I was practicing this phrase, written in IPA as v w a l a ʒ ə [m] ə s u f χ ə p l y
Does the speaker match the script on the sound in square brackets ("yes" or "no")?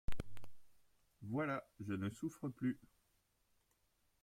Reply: no